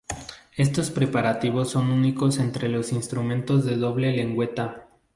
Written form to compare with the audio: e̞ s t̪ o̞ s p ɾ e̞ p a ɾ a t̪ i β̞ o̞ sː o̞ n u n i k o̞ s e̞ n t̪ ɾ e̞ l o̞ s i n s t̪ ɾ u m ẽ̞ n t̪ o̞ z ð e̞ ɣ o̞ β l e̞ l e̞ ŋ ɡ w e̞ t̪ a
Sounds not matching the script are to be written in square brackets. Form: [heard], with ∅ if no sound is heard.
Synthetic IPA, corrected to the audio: e̞ s t̪ o̞ s p ɾ e̞ p a ɾ a t̪ i β̞ o̞ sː o̞ n u n i k o̞ s e̞ n t̪ ɾ e̞ l o̞ s i n s t̪ ɾ u m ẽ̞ n t̪ o̞ z ð e̞ [ð] o̞ β l e̞ l e̞ ŋ ɡ w e̞ t̪ a